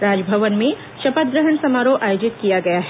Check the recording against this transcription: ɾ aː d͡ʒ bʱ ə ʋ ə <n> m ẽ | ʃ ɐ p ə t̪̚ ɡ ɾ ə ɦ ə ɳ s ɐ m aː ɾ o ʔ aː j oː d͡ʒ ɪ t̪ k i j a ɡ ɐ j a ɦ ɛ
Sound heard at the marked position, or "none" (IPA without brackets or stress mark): n